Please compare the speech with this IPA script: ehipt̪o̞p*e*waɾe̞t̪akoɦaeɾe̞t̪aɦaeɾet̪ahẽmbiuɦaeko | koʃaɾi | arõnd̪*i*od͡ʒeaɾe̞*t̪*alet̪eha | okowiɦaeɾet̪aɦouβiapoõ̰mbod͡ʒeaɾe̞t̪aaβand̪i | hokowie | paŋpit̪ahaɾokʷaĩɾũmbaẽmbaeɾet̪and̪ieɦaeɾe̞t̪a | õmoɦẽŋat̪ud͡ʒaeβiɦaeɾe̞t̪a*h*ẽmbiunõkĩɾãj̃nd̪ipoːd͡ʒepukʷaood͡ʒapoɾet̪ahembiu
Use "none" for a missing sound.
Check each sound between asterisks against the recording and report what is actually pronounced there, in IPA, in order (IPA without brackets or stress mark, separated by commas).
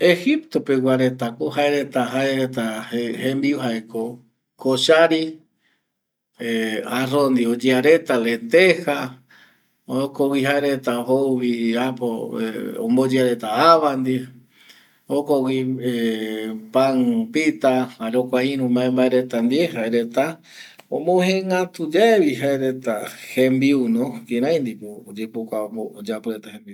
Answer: e, i, t̪, h